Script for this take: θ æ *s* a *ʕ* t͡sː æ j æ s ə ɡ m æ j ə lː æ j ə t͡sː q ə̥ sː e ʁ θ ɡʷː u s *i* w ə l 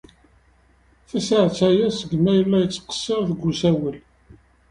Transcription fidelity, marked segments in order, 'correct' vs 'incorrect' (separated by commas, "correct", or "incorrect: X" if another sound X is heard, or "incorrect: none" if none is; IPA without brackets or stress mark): correct, correct, incorrect: æ